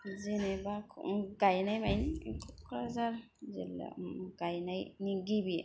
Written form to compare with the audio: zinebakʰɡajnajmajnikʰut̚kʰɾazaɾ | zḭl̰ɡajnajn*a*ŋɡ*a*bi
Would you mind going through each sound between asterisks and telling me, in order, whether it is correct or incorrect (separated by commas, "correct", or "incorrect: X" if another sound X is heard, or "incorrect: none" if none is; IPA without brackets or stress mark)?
incorrect: i, incorrect: i